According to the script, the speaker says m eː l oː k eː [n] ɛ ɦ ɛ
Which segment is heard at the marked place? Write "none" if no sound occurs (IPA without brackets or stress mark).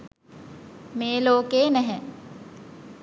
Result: n